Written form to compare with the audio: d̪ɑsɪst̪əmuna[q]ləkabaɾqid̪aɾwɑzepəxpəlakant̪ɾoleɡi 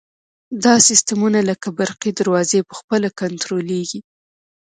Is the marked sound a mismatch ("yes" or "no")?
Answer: yes